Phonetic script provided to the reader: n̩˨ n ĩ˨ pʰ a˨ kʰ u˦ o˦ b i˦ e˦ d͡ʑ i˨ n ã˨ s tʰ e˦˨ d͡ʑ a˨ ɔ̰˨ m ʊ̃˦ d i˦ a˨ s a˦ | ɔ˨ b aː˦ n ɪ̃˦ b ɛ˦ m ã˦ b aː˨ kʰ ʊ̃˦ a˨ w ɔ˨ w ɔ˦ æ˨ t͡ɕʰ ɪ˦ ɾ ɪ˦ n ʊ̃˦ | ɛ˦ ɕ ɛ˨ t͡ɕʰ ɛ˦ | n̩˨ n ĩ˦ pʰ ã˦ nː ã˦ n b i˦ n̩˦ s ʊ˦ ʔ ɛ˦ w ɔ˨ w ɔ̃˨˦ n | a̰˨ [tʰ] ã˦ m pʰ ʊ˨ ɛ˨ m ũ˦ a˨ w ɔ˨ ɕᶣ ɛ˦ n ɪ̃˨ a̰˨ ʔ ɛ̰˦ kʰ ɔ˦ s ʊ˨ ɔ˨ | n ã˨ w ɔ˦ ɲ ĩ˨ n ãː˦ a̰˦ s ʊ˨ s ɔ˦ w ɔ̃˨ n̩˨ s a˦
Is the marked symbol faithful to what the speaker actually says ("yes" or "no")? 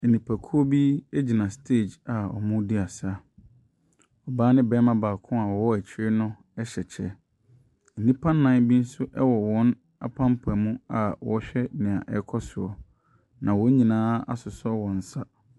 no